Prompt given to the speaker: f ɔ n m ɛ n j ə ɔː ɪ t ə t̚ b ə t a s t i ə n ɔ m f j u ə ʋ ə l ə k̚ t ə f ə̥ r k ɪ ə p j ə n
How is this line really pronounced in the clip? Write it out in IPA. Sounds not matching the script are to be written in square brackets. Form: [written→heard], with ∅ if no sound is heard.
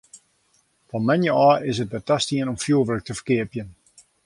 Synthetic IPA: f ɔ n m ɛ n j ə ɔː ɪ [t→s] ə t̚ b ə t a s t i ə n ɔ m f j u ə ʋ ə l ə k̚ t ə f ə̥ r k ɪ ə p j ə n